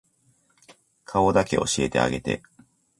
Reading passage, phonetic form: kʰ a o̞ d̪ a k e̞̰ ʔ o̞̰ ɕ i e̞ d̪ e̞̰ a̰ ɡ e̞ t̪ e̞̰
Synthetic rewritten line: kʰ a o̞ d̪ a k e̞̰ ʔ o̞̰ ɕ i e̞ t̪ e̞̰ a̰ ɡ e̞ t̪ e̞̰